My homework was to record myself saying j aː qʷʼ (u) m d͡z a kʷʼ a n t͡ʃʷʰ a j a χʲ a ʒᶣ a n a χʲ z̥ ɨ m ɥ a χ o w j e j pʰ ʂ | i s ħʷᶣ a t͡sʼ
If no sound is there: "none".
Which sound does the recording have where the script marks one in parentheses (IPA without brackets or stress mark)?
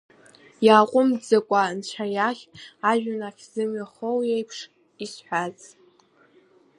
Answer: ʊ